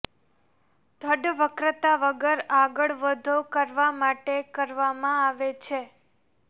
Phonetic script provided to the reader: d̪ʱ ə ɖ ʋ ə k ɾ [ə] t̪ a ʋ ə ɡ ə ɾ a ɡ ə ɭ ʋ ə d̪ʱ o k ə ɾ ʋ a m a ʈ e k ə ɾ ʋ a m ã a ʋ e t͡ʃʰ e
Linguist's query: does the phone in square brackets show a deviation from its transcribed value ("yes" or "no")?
no